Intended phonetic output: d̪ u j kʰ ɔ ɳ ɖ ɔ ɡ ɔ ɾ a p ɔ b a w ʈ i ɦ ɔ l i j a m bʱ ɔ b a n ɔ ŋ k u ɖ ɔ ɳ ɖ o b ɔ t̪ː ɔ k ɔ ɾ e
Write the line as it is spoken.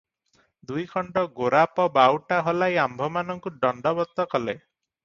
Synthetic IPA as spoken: d̪ u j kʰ ɔ ɳ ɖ ɔ ɡ o ɾ a p ɔ b a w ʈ a ɦ ɔ l a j a m bʱ ɔ m a n ɔ ŋ k u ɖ ɔ ɳ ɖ ɔ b ɔ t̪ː ɔ k ɔ l e